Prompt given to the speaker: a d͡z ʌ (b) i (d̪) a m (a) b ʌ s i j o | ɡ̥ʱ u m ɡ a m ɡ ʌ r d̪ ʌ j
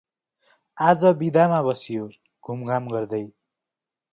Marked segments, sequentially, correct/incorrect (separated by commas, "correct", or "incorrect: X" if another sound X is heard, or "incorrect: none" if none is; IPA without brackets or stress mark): correct, correct, correct